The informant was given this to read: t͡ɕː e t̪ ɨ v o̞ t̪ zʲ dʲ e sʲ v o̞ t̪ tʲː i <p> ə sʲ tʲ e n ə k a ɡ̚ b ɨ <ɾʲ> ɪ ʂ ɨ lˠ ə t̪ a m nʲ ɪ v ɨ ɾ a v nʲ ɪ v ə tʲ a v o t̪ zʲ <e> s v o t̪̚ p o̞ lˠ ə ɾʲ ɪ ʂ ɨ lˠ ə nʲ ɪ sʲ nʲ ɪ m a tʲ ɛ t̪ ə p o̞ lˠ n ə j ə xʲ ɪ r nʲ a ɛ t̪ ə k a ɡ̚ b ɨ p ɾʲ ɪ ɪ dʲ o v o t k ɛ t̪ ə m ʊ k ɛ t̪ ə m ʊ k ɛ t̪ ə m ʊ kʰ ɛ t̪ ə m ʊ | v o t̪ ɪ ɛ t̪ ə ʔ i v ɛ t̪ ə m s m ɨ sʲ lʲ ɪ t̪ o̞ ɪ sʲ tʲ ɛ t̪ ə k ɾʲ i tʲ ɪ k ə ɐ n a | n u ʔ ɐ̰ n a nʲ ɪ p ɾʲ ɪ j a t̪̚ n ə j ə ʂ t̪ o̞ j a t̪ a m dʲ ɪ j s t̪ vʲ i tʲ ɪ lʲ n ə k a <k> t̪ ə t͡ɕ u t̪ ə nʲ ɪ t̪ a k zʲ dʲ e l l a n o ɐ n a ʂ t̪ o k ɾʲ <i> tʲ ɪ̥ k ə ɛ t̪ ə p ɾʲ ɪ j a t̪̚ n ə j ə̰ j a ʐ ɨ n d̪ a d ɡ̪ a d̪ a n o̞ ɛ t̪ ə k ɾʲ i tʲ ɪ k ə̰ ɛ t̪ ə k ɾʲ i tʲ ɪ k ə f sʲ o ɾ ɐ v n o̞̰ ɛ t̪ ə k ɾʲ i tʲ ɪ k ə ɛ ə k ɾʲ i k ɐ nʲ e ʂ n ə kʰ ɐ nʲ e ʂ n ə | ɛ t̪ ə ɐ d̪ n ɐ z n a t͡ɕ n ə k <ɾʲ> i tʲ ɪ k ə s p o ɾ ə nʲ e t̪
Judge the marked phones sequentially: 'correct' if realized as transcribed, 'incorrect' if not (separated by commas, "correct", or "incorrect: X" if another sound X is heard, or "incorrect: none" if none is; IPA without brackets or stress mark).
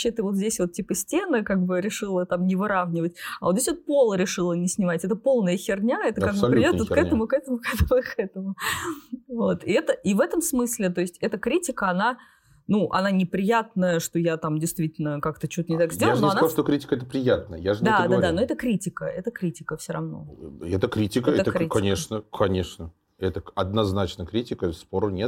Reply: correct, correct, correct, correct, correct, correct